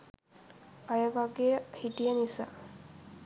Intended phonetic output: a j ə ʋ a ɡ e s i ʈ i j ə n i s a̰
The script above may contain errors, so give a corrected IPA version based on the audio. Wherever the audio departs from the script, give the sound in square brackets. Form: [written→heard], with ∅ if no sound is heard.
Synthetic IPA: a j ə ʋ a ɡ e [s→h] i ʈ i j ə n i s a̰